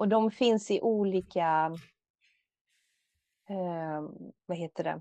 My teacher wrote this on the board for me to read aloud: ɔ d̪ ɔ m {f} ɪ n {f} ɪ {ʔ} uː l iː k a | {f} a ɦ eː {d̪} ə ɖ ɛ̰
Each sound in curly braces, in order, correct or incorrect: correct, incorrect, correct, incorrect, incorrect

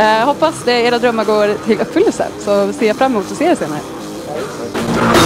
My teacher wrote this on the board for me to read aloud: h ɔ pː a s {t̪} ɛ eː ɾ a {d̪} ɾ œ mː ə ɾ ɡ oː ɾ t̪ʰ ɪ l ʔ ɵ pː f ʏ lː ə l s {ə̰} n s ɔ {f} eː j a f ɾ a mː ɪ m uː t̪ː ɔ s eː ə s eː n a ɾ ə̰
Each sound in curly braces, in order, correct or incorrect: incorrect, correct, correct, incorrect

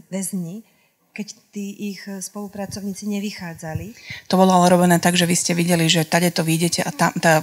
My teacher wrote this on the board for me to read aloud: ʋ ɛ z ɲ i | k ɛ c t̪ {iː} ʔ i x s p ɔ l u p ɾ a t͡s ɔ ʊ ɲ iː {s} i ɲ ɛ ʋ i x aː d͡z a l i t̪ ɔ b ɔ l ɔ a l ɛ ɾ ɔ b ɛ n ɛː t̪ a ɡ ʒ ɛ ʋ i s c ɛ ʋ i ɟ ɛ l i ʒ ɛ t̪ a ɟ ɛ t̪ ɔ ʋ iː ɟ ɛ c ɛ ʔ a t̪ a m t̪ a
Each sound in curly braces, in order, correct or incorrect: correct, incorrect

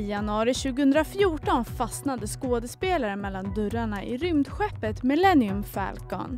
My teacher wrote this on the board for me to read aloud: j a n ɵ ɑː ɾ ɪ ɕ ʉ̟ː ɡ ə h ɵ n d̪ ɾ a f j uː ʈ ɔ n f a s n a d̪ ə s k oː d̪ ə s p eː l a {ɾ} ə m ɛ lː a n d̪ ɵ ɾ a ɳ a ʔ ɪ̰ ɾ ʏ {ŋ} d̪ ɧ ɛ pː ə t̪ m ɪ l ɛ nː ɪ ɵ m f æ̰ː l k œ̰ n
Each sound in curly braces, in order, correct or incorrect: correct, incorrect

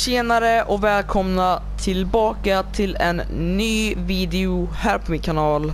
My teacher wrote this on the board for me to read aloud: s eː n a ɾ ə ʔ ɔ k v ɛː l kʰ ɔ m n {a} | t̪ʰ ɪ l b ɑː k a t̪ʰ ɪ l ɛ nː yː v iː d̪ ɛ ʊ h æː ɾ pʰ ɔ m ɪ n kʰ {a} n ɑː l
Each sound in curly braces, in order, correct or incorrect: correct, correct

